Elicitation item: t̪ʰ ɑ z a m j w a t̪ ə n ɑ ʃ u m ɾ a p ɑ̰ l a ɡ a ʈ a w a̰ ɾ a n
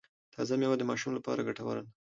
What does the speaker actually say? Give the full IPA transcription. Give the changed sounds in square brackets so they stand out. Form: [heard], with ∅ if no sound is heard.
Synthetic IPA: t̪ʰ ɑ z a m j w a [d̪] ə [m] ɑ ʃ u m [l] a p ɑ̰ [ɾ] a ɡ a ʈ a w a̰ ɾ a n